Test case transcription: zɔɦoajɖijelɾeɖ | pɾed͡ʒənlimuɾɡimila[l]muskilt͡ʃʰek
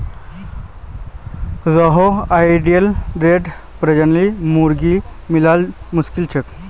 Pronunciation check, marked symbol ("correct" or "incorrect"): correct